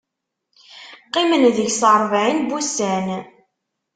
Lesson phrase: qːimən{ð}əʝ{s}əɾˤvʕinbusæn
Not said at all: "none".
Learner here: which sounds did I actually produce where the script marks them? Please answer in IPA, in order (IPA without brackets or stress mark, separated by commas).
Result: ð, s